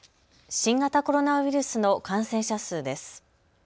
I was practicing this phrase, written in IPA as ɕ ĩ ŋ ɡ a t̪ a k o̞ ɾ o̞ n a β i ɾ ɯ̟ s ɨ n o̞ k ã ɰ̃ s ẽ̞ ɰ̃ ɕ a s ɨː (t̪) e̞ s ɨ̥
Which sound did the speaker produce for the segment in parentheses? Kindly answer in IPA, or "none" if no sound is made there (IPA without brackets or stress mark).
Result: d̪